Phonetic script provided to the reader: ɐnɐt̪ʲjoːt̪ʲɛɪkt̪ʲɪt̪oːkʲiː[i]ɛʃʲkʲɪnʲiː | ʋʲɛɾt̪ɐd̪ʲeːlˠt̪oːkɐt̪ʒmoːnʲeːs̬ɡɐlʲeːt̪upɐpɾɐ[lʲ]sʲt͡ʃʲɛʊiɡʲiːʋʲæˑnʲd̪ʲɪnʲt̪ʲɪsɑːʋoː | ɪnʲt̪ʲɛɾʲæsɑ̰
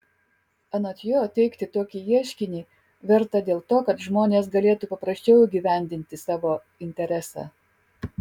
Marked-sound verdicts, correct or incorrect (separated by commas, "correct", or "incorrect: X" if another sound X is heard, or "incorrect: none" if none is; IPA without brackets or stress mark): correct, incorrect: none